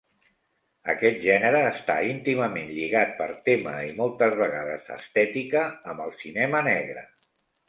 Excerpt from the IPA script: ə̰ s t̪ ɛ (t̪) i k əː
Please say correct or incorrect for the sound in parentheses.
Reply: correct